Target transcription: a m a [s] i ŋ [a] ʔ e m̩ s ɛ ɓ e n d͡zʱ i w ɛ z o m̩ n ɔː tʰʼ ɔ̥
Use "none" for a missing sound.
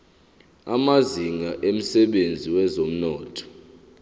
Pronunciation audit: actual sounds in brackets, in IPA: z, a

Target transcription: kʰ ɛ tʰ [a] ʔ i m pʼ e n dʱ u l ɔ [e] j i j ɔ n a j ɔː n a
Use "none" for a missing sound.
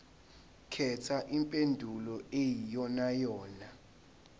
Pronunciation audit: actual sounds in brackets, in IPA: a, e

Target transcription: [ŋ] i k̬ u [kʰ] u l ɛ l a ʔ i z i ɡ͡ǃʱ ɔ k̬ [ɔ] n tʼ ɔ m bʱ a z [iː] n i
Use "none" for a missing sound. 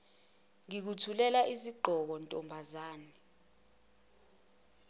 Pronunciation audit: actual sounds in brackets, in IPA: ŋ, tʰ, ɔ, aː

